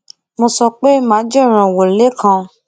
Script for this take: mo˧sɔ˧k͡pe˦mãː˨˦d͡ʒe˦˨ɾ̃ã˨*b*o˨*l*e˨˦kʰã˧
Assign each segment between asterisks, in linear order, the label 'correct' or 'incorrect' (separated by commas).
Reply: incorrect, correct